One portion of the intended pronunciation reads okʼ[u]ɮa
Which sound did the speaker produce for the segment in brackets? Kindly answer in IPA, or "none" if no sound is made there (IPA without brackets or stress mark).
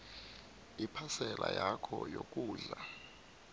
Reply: uː